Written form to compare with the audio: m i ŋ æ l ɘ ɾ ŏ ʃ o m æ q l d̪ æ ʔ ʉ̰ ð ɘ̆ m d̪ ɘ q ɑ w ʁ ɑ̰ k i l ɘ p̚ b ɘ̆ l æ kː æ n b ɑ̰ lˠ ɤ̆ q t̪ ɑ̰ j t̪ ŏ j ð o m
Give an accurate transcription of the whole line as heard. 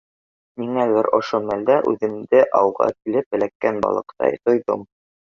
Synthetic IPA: m i ŋ æ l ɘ ɾ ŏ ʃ o m æ l d̪ æ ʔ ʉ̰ ð ɘ̆ m d̪ ɘ ʔ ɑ w ʁ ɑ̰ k i l ɘ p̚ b ɘ̆ l æ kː æ n b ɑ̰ lˠ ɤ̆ q t̪ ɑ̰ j t̪ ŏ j ð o m